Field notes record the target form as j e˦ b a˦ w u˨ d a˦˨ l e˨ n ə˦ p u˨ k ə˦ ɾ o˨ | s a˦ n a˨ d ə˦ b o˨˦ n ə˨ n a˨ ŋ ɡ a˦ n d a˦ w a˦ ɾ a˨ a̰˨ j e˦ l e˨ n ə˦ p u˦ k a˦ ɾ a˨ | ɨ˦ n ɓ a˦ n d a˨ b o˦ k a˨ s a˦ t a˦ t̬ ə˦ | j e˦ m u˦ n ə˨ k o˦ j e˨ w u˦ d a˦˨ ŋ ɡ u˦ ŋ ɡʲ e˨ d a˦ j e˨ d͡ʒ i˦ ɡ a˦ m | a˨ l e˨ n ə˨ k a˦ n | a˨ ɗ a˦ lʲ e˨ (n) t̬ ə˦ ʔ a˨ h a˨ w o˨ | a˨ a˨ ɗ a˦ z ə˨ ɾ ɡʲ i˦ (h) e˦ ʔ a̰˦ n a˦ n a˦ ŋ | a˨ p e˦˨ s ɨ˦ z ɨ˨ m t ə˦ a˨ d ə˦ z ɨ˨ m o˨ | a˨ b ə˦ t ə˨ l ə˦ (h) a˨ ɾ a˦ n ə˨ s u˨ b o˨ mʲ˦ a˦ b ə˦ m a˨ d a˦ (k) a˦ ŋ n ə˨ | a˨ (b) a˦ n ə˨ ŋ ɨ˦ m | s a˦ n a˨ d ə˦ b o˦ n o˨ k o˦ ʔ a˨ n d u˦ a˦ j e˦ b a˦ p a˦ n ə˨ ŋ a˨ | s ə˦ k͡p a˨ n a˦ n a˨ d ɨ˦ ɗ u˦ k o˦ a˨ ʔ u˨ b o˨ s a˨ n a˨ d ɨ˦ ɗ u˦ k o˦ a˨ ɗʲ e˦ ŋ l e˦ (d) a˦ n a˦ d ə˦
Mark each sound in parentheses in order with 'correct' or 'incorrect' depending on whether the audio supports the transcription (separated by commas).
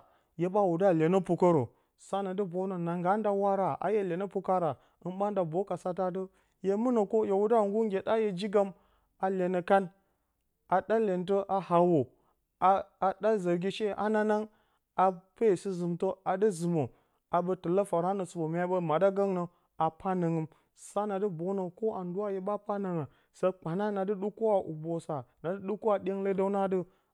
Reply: correct, incorrect, incorrect, incorrect, incorrect, correct